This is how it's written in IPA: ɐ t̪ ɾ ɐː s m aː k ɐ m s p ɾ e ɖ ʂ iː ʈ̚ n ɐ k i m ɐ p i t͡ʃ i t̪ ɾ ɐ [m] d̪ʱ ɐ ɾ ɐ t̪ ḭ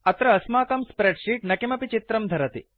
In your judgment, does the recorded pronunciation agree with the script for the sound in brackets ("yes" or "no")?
yes